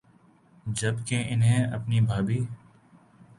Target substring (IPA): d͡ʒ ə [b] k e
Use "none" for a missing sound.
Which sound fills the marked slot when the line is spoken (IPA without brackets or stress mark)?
b